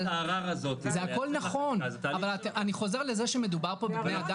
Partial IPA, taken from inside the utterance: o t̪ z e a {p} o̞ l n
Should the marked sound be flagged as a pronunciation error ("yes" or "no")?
yes